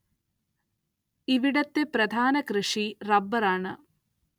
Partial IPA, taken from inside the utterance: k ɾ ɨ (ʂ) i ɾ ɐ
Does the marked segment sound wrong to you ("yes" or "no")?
no